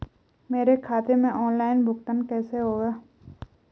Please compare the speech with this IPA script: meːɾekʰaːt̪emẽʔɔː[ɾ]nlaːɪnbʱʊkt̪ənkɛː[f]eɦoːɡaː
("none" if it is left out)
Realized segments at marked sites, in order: none, s

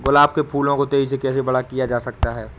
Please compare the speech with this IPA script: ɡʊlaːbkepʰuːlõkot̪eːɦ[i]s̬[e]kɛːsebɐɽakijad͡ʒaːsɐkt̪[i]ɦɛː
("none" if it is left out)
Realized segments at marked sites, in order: i, e, a

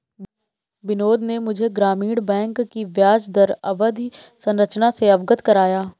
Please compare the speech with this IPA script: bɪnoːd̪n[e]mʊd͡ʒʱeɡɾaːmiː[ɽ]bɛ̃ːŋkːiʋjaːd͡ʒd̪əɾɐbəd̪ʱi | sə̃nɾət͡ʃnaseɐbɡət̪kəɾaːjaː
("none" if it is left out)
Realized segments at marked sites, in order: e, ɽ

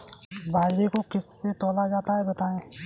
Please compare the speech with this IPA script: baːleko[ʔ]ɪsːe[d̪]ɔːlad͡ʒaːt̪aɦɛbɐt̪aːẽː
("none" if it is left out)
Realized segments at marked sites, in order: k, t̪

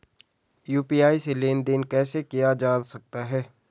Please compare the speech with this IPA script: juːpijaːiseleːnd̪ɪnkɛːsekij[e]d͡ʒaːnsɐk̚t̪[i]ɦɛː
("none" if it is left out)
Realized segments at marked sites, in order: a, a

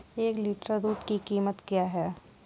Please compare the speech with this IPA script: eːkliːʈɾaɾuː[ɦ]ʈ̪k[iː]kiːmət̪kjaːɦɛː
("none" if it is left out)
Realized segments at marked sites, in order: none, i

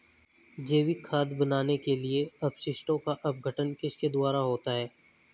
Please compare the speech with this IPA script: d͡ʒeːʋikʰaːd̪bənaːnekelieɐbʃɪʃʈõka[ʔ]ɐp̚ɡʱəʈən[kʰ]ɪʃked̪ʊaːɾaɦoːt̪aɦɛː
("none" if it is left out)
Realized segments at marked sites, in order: ʔ, k

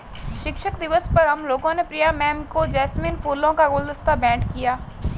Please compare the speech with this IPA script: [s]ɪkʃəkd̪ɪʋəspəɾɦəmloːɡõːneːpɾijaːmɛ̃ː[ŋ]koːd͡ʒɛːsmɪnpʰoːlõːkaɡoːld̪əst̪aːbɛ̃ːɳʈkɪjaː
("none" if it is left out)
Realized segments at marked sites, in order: ʃ, m

